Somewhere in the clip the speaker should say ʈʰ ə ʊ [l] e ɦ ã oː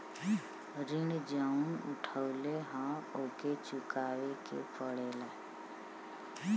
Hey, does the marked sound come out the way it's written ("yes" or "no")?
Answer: yes